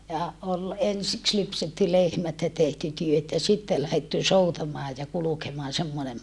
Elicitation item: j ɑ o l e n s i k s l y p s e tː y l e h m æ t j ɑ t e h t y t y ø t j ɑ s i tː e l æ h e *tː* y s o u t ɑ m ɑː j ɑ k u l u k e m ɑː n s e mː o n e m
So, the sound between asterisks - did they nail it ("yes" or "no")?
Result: yes